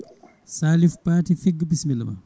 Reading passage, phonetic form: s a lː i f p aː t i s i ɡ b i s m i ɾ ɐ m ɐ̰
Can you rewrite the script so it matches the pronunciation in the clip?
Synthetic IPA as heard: s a l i f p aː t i f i ɡ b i s m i l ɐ m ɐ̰